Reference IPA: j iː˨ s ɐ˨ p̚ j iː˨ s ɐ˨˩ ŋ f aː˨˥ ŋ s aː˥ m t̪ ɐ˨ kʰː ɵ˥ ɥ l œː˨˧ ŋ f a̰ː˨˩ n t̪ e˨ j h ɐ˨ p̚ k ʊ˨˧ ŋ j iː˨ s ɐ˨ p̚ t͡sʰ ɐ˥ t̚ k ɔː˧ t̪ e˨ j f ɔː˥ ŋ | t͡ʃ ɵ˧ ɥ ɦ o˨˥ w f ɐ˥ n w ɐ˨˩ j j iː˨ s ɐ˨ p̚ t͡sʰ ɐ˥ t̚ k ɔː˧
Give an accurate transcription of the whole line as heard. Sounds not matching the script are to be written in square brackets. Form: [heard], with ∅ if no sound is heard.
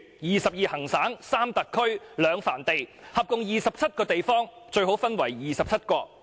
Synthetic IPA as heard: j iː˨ s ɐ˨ p̚ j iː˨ [h] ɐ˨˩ ŋ [s] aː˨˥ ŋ s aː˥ m t̪ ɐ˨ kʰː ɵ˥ ɥ l œː˨˧ ŋ f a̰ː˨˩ n t̪ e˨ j h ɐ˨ p̚ k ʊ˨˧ ŋ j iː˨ s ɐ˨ p̚ t͡sʰ ɐ˥ t̚ k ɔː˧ t̪ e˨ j f ɔː˥ ŋ | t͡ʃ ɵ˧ ɥ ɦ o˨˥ w f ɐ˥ n w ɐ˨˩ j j iː˨ s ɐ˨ p̚ t͡sʰ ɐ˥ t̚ k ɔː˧